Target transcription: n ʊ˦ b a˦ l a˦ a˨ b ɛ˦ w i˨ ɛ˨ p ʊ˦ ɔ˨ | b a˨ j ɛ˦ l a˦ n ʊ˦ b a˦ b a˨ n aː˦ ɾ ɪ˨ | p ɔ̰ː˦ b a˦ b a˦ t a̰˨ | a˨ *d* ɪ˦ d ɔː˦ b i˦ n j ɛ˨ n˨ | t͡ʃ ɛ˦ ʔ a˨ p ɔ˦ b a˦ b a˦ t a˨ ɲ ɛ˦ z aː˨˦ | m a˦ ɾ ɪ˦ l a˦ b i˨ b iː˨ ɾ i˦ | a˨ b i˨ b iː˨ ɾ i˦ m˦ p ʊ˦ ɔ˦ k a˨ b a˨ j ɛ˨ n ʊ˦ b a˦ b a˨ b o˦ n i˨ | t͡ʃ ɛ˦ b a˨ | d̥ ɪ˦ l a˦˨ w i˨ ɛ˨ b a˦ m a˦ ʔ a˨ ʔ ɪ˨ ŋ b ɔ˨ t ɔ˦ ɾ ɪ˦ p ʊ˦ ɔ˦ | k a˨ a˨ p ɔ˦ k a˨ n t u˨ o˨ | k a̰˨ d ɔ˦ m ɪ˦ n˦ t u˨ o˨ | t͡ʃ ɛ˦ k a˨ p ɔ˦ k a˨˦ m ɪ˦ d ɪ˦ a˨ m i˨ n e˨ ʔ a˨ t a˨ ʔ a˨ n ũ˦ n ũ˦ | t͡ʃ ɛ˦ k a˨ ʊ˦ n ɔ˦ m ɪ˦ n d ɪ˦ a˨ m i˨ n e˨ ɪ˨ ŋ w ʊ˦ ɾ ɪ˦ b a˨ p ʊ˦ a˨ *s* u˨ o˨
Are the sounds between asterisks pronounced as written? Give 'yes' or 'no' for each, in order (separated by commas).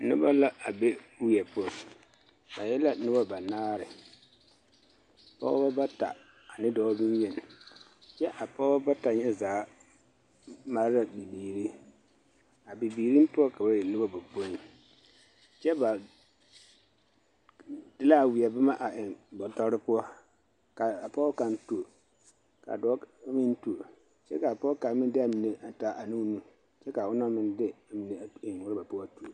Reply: no, no